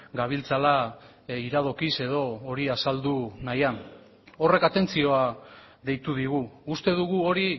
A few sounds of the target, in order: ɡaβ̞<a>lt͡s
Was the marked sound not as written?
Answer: yes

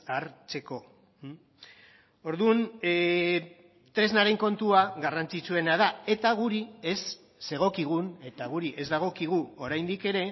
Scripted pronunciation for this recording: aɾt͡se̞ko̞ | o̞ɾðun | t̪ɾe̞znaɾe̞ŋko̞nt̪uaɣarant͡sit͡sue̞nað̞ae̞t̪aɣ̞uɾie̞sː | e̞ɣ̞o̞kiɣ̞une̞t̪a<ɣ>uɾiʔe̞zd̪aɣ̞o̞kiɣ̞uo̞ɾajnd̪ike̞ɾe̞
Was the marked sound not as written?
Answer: no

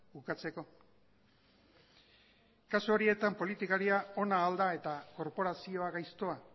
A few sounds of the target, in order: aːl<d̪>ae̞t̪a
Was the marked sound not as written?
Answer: no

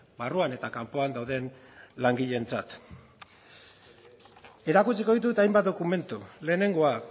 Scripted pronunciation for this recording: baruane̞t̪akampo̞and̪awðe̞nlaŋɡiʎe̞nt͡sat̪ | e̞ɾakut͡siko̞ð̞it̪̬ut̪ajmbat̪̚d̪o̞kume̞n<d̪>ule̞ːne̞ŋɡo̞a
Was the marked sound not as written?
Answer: yes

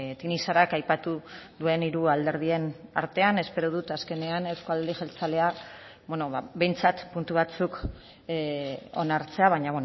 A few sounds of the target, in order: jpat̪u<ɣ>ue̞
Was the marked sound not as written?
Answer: yes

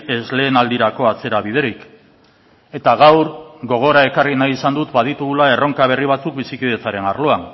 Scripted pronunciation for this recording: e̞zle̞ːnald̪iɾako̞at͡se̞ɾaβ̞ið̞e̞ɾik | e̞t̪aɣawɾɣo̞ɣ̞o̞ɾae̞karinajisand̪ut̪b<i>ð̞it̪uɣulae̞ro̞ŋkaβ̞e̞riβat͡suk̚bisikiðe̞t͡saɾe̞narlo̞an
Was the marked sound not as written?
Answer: yes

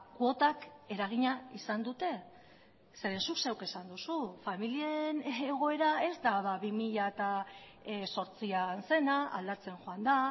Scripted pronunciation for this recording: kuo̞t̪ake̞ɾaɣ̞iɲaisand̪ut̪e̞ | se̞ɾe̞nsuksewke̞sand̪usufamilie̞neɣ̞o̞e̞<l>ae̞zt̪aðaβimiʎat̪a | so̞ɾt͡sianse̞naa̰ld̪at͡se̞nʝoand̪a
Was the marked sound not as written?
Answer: yes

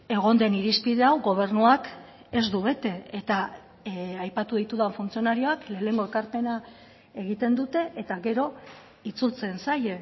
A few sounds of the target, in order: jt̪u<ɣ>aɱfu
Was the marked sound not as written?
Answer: yes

